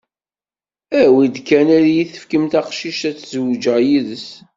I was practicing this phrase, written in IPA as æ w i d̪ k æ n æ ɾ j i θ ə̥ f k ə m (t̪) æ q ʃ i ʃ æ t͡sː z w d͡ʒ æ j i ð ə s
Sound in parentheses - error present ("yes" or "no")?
no